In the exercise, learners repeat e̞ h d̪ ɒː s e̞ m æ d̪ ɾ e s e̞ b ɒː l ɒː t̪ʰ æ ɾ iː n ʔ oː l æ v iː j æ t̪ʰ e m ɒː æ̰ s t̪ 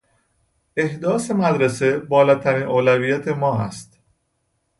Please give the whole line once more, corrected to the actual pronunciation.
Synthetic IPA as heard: e̞ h d̪ ɒː s e̞ m æ d̪ ɾ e s e̞ b ɒː l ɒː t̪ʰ æ ɾ iː n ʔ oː l æ v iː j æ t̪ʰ e m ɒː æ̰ s t̪